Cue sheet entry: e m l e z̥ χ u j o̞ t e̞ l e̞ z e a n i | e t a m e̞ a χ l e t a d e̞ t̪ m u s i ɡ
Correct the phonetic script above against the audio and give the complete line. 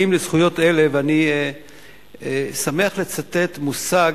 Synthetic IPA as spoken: i m l e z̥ χ u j o̞ t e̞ l e̞ v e a n i | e s a m e̞ a χ l e t͡s a t e̞ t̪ m u s a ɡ